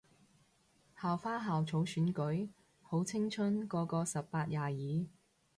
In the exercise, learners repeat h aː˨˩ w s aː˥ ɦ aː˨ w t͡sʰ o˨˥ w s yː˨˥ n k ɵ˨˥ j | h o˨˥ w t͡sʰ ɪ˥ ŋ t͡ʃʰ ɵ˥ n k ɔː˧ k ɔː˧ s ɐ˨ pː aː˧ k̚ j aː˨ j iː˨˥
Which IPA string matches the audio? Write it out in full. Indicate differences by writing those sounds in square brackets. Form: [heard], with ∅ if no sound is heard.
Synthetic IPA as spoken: h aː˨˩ w [f] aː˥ ɦ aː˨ w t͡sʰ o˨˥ w s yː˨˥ n k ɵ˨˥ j | h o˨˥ w t͡sʰ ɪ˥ ŋ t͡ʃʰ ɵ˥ n k ɔː˧ k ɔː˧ s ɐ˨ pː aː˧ [t̚] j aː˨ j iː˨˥